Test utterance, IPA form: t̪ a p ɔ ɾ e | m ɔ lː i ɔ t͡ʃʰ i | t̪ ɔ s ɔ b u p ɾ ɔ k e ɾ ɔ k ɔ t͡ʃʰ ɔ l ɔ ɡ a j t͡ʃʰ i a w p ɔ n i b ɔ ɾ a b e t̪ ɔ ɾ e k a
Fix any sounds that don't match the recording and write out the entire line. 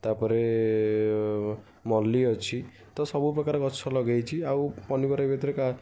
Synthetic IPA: t̪ a p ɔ ɾ e | m ɔ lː i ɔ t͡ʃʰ i | t̪ ɔ s ɔ b u p ɾ ɔ k a ɾ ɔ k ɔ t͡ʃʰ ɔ l ɔ ɡ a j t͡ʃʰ i a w p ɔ n i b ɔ ɾ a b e t̪ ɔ ɾ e k a